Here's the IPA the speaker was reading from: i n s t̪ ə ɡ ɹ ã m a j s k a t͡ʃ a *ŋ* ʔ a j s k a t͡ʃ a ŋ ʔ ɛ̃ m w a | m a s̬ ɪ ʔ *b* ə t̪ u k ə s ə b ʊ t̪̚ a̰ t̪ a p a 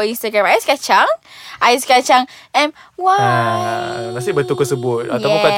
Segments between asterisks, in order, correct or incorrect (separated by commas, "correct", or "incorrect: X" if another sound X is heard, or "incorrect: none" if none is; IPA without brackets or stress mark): correct, correct